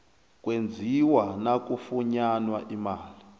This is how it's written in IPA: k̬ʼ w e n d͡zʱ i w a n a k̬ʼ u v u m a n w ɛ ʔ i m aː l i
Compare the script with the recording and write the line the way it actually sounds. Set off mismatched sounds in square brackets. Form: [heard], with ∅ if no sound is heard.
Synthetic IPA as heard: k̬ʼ w e n d͡zʱ i w a n a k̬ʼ u [f] u [ɲ] a n w [a] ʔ i m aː l i